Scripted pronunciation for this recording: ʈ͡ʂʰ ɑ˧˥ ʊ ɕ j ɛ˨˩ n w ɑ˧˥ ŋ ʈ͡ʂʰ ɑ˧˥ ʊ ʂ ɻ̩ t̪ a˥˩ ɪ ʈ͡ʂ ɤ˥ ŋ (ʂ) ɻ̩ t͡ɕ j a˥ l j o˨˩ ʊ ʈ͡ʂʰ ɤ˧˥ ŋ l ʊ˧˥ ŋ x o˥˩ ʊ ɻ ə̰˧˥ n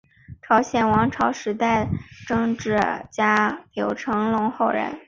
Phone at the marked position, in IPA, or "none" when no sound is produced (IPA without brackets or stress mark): ʈ͡ʂ